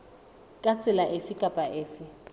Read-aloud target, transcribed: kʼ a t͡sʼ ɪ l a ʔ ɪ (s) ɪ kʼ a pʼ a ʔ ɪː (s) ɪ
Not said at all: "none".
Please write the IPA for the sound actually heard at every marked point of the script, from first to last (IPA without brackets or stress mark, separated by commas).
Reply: f, f